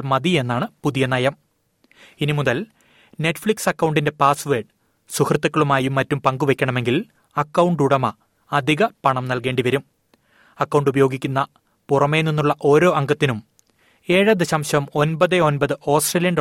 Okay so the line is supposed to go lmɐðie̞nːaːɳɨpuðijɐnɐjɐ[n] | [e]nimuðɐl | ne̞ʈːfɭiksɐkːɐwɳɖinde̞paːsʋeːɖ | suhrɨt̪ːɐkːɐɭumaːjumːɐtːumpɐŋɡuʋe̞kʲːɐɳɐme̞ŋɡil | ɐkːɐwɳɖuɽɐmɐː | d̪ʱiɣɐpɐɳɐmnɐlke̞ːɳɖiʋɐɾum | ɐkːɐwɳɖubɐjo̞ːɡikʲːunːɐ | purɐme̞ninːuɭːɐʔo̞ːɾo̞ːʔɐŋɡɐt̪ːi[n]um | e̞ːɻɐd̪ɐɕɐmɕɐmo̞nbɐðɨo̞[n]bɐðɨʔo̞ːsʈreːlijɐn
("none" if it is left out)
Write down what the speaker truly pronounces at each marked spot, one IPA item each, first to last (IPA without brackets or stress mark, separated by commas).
m, i, n, n